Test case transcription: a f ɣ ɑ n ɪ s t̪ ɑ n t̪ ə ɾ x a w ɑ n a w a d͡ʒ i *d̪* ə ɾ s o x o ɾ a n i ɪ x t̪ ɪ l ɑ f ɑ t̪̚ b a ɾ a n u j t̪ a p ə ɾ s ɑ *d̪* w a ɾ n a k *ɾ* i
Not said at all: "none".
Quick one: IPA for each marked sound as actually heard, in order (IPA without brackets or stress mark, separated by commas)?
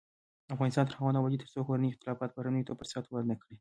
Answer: t̪, t̪, ɽ